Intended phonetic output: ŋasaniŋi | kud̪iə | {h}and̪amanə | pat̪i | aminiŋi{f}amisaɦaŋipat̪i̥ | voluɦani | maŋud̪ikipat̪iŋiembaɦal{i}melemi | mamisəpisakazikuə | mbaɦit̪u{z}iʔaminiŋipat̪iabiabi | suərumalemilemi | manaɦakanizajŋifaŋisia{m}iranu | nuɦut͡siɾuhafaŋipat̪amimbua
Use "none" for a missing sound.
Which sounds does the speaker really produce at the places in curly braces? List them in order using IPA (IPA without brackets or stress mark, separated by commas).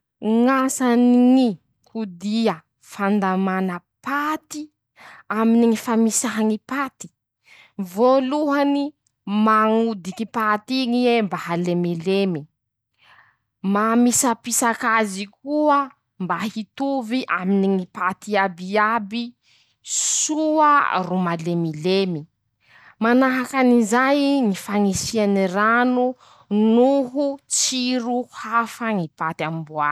f, f, e, v, n